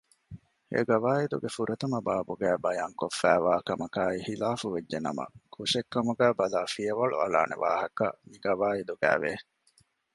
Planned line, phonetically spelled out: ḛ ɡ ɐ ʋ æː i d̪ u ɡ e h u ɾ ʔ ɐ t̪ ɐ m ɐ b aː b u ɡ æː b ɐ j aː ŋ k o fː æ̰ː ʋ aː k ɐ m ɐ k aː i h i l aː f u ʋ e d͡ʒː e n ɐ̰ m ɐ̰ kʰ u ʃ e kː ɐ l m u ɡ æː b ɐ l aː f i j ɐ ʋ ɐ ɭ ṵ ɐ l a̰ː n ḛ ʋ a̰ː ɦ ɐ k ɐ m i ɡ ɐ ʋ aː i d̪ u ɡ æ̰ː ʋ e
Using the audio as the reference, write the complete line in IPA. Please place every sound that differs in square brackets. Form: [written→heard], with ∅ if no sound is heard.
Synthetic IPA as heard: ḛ ɡ ɐ ʋ [æː→aː] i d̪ u ɡ e [h→f] u ɾ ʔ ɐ t̪ ɐ m ɐ b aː b u ɡ æː b ɐ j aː ŋ k o fː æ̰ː ʋ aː k ɐ m ɐ k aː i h i l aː f u ʋ e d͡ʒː e n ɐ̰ m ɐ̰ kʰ u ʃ e kː ɐ [l→∅] m u ɡ æː b ɐ l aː f i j ɐ ʋ ɐ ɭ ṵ ɐ l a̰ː n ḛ ʋ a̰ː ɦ ɐ k ɐ m i ɡ ɐ ʋ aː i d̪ u ɡ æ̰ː ʋ e

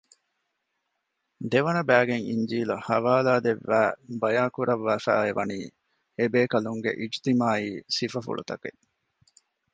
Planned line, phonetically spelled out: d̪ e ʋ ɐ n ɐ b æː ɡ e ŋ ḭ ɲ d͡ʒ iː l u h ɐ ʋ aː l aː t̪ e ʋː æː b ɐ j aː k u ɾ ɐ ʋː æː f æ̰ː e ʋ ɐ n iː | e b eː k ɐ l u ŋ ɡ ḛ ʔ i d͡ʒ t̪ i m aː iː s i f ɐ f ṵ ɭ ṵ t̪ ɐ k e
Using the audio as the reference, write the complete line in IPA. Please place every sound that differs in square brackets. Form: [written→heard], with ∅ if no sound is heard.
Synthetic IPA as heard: d̪ e ʋ ɐ n ɐ b æː ɡ e ŋ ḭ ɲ d͡ʒ iː l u h ɐ ʋ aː l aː [t̪→d̪] e ʋː æː b ɐ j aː k u ɾ ɐ ʋː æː f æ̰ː e ʋ ɐ n iː | e b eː k ɐ l u ŋ ɡ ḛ ʔ i d͡ʒ t̪ i m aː iː s i f ɐ f ṵ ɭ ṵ t̪ ɐ k e

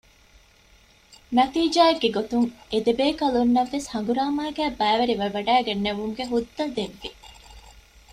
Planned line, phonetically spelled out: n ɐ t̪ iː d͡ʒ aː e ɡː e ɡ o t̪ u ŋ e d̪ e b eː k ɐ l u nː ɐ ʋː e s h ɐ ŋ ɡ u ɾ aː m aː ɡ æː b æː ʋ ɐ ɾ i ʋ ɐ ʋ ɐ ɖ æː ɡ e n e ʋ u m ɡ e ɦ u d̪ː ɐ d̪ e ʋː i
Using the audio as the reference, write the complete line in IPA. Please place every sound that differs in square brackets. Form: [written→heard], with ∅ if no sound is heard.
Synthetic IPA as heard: n ɐ t̪ iː d͡ʒ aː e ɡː e ɡ o t̪ u ŋ e d̪ e b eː k ɐ l u nː ɐ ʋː e s h ɐ ŋ ɡ u ɾ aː m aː ɡ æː b æː ʋ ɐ ɾ i ʋ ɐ ʋ ɐ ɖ æː ɡ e [n→nː] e ʋ u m ɡ e ɦ u d̪ː ɐ d̪ e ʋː i

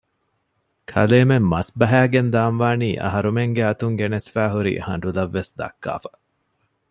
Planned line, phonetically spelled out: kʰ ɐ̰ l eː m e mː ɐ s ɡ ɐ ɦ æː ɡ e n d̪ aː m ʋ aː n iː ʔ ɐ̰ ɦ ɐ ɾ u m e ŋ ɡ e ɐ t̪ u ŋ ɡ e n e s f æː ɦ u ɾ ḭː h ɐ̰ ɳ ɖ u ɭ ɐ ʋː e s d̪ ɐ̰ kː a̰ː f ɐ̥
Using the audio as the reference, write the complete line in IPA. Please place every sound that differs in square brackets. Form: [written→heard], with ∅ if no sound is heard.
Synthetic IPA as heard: kʰ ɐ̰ l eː m e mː ɐ s [ɡ→b] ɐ ɦ æː ɡ e n d̪ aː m ʋ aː n iː ʔ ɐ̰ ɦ ɐ ɾ u m e ŋ ɡ e ɐ t̪ u ŋ ɡ e n e s f æː ɦ u ɾ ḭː h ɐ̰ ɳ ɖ u [ɭ→l] ɐ ʋː e s d̪ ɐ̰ kː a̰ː f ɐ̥

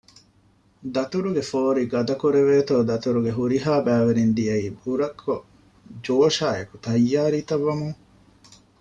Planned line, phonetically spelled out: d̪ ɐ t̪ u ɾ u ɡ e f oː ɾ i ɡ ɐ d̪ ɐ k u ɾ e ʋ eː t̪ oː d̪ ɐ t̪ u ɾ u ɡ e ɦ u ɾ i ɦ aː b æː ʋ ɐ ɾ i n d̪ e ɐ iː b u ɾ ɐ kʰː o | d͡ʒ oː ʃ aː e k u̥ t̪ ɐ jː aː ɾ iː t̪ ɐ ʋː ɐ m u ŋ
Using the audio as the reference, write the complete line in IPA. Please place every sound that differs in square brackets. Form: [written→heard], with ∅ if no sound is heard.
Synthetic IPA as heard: d̪ ɐ t̪ u ɾ u ɡ e f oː ɾ i ɡ ɐ d̪ ɐ k u ɾ e ʋ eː t̪ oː d̪ ɐ t̪ u ɾ u ɡ e ɦ u ɾ i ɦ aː b æː ʋ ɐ ɾ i n d̪ [e→i] ɐ iː b u ɾ ɐ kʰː o | d͡ʒ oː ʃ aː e k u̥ t̪ ɐ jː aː ɾ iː t̪ ɐ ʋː ɐ m u ŋ

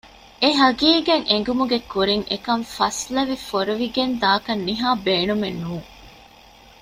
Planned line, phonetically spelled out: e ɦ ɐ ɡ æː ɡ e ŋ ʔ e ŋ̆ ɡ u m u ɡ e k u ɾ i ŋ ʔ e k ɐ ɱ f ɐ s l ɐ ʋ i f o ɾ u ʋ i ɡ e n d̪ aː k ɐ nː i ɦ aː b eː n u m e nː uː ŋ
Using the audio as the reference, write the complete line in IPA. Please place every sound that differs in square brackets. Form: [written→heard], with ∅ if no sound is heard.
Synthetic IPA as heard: e ɦ ɐ ɡ [æː→iː] ɡ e ŋ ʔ e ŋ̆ ɡ u m u ɡ e k u ɾ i ŋ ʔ e k ɐ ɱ f ɐ s l ɐ ʋ i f o ɾ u ʋ i ɡ e n d̪ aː k ɐ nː i ɦ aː b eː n u m e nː uː ŋ

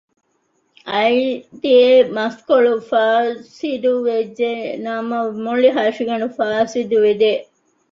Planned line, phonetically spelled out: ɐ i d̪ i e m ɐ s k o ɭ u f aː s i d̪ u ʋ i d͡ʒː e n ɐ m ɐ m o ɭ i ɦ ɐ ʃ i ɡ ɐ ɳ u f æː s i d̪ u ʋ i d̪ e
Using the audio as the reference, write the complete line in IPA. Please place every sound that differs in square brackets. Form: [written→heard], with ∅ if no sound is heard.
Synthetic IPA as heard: ɐ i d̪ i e m ɐ s k o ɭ u f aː s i d̪ u ʋ [i→e] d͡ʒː e n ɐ m ɐ m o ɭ i ɦ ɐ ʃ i ɡ ɐ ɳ u f [æː→aː] s i d̪ u ʋ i d̪ e

